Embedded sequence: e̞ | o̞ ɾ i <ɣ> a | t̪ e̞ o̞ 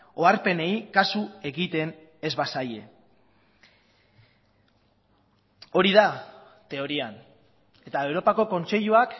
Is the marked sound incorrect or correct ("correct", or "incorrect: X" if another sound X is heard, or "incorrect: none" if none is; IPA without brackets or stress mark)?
incorrect: ð